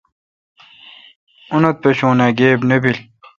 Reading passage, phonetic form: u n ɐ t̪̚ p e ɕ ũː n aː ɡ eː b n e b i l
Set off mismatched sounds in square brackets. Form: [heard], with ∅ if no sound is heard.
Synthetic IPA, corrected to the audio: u n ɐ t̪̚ p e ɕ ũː n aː ɡ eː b n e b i l